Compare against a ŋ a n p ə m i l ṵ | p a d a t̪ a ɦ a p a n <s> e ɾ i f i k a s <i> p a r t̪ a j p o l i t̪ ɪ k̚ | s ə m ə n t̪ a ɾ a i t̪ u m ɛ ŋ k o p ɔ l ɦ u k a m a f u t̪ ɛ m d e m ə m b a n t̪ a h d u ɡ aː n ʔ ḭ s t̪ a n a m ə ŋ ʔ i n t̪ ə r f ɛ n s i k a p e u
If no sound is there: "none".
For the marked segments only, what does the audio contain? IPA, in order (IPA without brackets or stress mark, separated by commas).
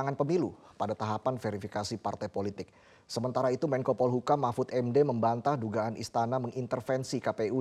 f, i